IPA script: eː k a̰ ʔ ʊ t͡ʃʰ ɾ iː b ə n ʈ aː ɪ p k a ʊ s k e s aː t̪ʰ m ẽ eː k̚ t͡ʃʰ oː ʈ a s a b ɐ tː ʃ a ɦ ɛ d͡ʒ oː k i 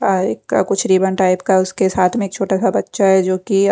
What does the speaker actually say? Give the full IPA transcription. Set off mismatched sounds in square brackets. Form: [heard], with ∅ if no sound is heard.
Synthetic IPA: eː k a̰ [k] ʊ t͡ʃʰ ɾ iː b ə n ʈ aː ɪ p k a ʊ s k e s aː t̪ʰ m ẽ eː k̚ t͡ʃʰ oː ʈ a s a b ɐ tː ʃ a ɦ ɛ d͡ʒ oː k i